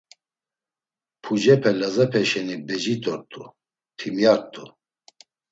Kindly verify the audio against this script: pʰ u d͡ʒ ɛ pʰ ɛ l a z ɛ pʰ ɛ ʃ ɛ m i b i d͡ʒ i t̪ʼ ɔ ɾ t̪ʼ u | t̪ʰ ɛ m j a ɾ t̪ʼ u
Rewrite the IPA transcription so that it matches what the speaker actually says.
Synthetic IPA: pʰ u d͡ʒ ɛ pʰ ɛ l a z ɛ pʰ ɛ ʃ ɛ n i b ɛ d͡ʒ i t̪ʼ ɔ ɾ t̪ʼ u | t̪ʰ i m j a ɾ t̪ʼ u

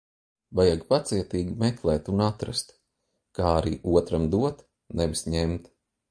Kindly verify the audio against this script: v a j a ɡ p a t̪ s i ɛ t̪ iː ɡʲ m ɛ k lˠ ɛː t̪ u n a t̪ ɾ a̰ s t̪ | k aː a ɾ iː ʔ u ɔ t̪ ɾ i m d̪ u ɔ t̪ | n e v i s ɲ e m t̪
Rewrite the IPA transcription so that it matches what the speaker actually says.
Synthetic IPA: v a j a ɡ p a t̪ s i ɛ t̪ iː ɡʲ m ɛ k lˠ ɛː t̪ u n a t̪ ɾ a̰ s t̪ | k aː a ɾ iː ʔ u ɔ t̪ ɾ a m d̪ u ɔ t̪ | n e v i s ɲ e m t̪

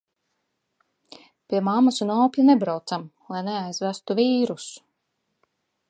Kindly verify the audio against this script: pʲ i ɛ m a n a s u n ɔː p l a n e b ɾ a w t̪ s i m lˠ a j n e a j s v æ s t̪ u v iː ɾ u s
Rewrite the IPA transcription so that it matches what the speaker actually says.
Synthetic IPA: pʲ i ɛ m a m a s u n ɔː p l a n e b ɾ a w t̪ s a m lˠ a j n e a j z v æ s t̪ u v iː ɾ u s

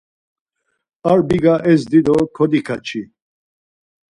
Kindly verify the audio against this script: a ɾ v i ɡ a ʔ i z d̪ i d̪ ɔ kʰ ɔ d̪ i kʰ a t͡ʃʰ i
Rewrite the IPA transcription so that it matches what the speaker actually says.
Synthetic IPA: a ɾ b i ɡ a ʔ ɛ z d̪ i d̪ ɔ kʰ ɔ d̪ i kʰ a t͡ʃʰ i

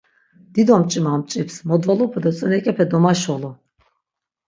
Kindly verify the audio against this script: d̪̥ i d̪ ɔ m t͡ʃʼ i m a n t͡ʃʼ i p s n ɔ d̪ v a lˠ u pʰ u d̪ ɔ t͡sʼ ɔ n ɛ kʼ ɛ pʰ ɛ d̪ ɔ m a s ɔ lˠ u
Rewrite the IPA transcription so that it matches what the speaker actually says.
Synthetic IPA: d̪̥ i d̪ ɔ m t͡ʃʼ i m a m t͡ʃʼ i p s m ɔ d̪ v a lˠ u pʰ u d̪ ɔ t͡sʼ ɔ n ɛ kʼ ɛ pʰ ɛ d̪ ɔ m a ʃ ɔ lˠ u

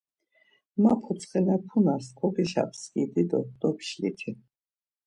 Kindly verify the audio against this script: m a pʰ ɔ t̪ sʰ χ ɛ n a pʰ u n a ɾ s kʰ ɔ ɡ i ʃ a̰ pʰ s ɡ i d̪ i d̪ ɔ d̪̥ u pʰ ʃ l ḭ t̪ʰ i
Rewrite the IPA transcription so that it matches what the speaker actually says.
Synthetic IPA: m a pʰ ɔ t̪ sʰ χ ɛ n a pʰ u n a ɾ s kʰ ɔ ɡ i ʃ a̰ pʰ s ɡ i d̪ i d̪ ɔ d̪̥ ɔ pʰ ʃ l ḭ t̪ʰ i

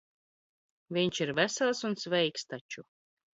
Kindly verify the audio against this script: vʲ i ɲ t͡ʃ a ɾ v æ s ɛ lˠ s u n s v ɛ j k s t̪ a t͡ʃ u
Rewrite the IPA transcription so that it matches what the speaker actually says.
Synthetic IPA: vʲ i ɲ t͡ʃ i ɾ v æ s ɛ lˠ s u n s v ɛ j k s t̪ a t͡ʃ u

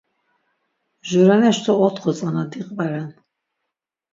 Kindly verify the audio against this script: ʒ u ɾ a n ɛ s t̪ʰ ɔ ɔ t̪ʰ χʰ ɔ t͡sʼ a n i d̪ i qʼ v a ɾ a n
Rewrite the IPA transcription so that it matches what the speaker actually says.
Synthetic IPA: ʒ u ɾ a n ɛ ʃ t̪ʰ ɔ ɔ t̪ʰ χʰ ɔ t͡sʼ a n a d̪ i qʼ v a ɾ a n

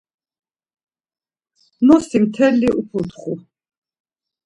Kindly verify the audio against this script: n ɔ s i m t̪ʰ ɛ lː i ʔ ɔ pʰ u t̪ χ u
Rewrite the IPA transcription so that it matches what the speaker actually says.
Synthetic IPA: n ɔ s i m t̪ʰ ɛ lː i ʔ u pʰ u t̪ χ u

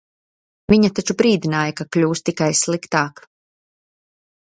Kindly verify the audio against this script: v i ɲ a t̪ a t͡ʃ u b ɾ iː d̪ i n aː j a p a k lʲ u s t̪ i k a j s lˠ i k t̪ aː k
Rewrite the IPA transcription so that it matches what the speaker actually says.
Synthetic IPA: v i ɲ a t̪ a t͡ʃ u b ɾ iː d̪ i n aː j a k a k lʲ uː s t̪ i k a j s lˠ i k t̪ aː k

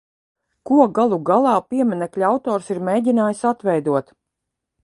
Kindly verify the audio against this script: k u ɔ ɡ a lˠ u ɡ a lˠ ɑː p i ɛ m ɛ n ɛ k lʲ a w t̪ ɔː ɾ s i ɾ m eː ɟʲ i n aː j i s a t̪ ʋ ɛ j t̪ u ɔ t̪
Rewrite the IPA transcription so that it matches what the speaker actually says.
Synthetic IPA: k u ɔ ɡ a lˠ u ɡ a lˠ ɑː p i ɛ m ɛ n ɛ k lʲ a w t̪ ɔː ɾ s i ɾ m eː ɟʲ i n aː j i s a t̪ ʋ ɛ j d̪ u ɔ t̪

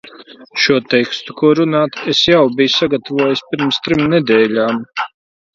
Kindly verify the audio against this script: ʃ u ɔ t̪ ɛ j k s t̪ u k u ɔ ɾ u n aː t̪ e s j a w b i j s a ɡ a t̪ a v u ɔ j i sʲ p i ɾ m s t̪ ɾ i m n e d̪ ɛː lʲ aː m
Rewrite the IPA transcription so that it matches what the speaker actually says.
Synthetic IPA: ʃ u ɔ t̪ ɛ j k s t̪ u k u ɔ ɾ u n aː t̪ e s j a w b i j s a ɡ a t̪ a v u ɔ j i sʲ p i ɾ m s t̪ ɾ i m n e d̪ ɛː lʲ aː m

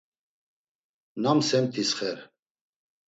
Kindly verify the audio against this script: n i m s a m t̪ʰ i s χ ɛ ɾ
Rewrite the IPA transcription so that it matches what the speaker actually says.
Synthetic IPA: n a m s ɛ m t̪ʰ i s χ ɛ ɾ

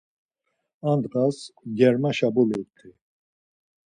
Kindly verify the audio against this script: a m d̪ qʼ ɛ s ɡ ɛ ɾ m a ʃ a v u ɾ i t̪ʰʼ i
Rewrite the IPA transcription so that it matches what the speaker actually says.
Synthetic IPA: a n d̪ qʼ a s ɡ ɛ ɾ m a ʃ a b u l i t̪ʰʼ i

